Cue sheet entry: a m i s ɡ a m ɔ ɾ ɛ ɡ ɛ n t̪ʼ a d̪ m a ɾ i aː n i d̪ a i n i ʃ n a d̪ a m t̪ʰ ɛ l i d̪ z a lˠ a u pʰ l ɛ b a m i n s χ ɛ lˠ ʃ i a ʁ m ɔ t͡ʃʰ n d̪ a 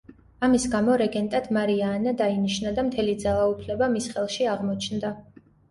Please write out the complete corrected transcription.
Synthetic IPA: a m i s ɡ a m ɔ ɾ ɛ ɡ ɛ n t̪ʼ a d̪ m a ɾ i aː n a d̪ a i n i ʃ n a d̪ a m t̪ʰ ɛ l i d̪ z a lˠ a u pʰ l ɛ b a m i s χ ɛ lˠ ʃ i a ʁ m ɔ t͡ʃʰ n d̪ a